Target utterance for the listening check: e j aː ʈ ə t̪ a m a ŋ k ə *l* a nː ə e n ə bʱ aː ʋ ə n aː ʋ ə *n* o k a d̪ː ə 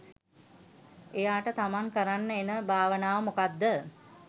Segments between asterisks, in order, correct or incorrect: incorrect, incorrect

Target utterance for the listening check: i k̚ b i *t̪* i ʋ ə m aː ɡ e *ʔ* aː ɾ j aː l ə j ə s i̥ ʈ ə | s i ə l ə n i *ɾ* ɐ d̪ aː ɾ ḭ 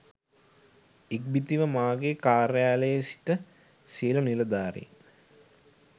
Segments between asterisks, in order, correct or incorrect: correct, incorrect, incorrect

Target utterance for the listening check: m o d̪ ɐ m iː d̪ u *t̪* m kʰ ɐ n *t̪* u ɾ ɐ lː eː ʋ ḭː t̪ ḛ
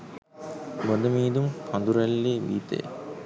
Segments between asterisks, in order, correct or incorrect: incorrect, incorrect

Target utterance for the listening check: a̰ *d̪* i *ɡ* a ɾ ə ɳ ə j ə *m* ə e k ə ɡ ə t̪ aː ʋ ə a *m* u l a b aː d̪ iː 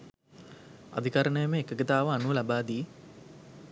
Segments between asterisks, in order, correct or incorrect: correct, incorrect, correct, incorrect

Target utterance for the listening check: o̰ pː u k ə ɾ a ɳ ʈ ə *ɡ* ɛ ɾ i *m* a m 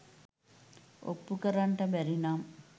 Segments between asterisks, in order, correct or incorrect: incorrect, incorrect

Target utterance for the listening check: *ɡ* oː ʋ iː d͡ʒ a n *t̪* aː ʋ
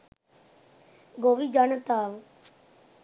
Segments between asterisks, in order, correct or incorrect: correct, correct

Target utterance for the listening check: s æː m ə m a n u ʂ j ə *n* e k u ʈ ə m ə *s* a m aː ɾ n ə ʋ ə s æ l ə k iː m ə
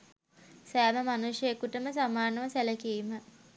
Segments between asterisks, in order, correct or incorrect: incorrect, correct

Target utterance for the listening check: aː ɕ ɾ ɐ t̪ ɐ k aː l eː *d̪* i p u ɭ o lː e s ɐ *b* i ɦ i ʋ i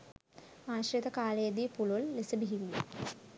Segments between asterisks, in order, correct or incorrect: correct, correct

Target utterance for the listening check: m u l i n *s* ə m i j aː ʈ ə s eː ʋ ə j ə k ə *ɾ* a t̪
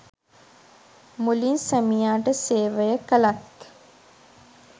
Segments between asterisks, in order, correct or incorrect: correct, incorrect

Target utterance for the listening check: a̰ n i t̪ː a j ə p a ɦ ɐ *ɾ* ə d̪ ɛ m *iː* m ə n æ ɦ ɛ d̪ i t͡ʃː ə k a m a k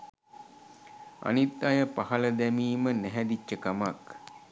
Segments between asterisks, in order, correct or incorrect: incorrect, correct

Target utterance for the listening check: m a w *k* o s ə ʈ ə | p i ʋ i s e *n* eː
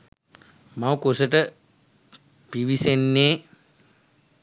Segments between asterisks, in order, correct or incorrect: correct, incorrect

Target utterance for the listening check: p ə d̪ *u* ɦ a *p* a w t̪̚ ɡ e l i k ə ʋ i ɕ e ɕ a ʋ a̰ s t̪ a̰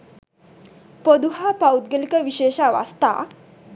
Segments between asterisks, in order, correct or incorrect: correct, correct

